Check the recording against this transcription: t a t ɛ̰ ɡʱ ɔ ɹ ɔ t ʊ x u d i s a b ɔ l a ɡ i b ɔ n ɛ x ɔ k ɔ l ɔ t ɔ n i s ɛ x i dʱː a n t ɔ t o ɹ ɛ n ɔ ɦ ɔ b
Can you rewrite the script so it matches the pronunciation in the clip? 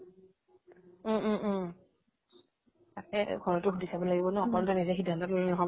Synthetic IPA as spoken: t a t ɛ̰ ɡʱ ɔ ɹ ɔ t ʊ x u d i s a b ɔ l a ɡ i b ɔ n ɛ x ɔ k ɔ l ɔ t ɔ n i z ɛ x i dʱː a n t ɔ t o l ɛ n ɔ ɦ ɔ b